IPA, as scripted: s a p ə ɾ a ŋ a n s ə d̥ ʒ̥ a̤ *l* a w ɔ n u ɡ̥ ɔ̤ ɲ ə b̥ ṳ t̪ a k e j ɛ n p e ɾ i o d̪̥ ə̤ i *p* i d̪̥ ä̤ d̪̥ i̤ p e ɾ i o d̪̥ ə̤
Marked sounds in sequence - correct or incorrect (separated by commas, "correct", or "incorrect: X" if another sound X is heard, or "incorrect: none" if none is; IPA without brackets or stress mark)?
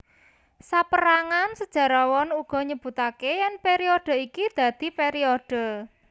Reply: incorrect: ɾ, incorrect: k